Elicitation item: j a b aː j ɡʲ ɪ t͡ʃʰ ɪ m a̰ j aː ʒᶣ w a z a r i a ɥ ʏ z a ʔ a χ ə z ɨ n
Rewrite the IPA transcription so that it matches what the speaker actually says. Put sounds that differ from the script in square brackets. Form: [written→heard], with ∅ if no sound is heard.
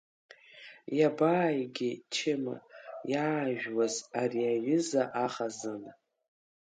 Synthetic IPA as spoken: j a b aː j ɡʲ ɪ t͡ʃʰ ɪ m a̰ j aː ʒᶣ w a z a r i a ɥ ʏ z a ʔ a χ [ə→a] z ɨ n

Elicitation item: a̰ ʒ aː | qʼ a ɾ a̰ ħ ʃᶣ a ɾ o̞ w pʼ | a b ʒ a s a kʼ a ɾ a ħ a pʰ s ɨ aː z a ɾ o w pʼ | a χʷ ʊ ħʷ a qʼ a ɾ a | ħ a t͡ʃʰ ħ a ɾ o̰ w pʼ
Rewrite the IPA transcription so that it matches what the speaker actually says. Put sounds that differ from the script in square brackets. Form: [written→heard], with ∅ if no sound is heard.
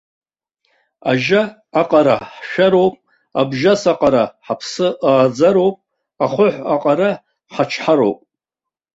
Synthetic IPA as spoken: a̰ ʒ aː | qʼ a ɾ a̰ ħ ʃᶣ a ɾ o̞ w pʼ | a b ʒ a s a [kʼ→qʼ] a ɾ a ħ a pʰ s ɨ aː [z→d͡z] a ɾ o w pʼ | a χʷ ʊ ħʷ a qʼ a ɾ a | ħ a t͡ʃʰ ħ a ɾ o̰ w pʼ

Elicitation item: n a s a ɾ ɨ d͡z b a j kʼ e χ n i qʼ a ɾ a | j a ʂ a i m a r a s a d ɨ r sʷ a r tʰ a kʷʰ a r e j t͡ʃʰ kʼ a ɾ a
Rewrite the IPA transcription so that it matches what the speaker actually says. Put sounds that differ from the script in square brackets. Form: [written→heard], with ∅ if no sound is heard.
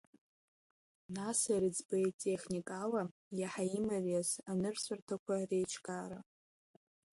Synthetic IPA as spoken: n a s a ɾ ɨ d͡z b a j [kʼ→tʼ] e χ n i [qʼ→kʼ] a [ɾ→l] a | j a [ʂ→ħ] a i m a r a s a [d→n] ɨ r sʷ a r tʰ a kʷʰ a r e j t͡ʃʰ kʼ a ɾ a

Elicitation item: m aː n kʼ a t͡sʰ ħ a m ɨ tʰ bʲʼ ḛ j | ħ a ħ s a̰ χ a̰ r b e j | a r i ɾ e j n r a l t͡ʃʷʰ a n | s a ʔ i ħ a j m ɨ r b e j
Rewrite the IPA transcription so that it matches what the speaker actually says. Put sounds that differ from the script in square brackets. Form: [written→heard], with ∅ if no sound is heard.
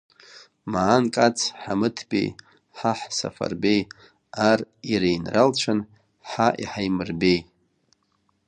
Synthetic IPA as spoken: m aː n kʼ a t͡sʰ ħ a m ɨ tʰ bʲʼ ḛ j | ħ a ħ s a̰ [χ→f] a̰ r b e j | a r i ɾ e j n r a l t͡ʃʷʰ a n | [s→ħ] a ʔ i ħ a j m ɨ r b e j

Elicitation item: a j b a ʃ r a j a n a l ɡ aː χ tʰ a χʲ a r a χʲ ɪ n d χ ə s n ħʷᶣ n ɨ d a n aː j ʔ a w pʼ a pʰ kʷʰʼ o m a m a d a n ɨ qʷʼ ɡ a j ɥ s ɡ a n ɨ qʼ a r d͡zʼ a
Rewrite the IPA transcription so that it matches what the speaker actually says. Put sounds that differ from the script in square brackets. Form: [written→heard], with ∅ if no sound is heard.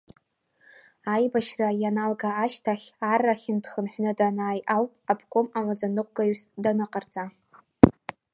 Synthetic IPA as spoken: a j b a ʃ r a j a n a l ɡ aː [χ→ʃ] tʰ a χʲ a r a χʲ ɪ n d χ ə [s→∅] n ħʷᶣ n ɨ d a n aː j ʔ a w pʼ a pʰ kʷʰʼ o m a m a [d→d͡z] a n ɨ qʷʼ ɡ a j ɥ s [ɡ→d] a n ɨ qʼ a r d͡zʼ a

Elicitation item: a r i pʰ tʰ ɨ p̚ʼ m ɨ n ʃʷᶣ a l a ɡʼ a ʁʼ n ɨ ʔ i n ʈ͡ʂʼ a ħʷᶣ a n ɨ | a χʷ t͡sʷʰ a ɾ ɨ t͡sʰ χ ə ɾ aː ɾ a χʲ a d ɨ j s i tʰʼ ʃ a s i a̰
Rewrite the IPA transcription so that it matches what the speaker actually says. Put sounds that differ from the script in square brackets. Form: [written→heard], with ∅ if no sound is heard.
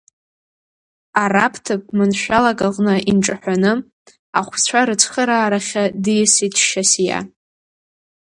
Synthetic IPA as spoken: a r [i→a] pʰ tʰ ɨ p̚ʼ m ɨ n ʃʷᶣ a l a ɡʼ a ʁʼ n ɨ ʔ i n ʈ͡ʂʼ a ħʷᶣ a n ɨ | a χʷ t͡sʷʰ a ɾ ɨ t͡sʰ χ ə ɾ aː ɾ a χʲ a d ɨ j s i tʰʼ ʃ a s [i→j] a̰

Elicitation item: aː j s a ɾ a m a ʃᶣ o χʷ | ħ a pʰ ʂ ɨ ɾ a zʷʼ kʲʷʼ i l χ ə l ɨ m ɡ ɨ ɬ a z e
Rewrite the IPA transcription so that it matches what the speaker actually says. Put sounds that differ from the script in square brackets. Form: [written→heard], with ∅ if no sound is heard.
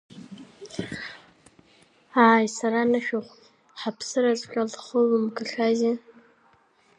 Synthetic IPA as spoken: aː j s a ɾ a [m→n] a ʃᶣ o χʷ | ħ a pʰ [ʂ→s] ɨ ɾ a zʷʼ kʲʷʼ [i→a] l χ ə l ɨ m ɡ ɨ ɬ a z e

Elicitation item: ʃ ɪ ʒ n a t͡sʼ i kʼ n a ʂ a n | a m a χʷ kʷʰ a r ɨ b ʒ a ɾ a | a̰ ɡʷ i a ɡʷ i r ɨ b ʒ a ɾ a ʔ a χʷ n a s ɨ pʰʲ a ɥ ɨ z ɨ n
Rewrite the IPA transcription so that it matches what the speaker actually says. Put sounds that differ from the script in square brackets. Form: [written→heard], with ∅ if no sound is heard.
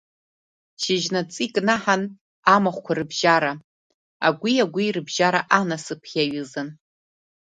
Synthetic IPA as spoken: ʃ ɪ ʒ n a t͡sʼ i kʼ n a [ʂ→ħ] a n | a m a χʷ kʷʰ a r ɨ b ʒ a ɾ a | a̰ ɡʷ i a ɡʷ i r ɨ b ʒ a ɾ a ʔ a [χʷ→∅] n a s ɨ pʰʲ a ɥ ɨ z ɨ n

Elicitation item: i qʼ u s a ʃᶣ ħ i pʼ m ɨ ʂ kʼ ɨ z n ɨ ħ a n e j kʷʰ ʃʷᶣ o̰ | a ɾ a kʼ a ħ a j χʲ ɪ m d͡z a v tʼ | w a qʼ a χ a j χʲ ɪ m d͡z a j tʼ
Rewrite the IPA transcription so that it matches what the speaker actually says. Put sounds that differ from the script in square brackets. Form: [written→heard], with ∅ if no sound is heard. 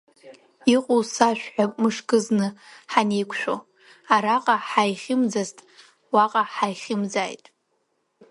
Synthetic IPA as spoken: i qʼ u s a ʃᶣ ħ [i→a] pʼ m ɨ ʂ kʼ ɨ z n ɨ ħ a n e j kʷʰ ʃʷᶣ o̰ | a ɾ a [kʼ→qʼ] a ħ a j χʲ ɪ m d͡z a [v→z] tʼ | w a qʼ a [χ→ħ] a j χʲ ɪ m d͡z a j tʼ

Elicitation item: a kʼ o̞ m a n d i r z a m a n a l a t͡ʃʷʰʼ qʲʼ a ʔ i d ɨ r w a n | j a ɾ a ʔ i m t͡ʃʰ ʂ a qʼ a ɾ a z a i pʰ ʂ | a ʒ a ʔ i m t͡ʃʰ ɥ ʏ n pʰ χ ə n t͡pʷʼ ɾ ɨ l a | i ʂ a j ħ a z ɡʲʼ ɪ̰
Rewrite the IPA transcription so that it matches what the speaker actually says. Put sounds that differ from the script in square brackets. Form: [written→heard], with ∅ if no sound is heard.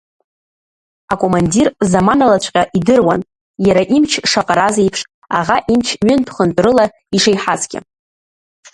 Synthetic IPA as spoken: a kʼ o̞ m a n d i r z a m a n a l a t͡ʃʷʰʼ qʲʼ a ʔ i d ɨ r w a n | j a ɾ a ʔ i m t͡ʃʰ ʂ a qʼ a ɾ a z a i pʰ ʂ | a [ʒ→ʁ] a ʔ i m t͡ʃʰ ɥ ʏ n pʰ χ ə n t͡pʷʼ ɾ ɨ l a | i ʂ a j ħ a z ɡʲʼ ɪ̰

